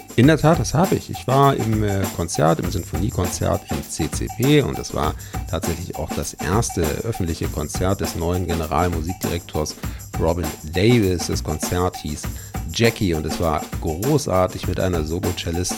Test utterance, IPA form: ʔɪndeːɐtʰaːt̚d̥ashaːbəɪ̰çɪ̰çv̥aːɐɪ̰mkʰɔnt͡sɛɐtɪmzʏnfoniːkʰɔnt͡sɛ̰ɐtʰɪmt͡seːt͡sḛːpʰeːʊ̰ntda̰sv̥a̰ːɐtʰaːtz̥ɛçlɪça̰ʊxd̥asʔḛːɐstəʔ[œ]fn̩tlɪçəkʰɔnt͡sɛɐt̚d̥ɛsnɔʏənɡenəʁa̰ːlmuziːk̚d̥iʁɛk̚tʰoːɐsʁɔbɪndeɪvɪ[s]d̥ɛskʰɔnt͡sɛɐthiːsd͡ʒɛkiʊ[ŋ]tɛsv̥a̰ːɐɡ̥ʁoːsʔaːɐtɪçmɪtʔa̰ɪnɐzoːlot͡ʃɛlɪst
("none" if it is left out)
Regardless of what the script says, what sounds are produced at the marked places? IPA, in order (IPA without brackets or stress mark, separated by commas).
œ, s, n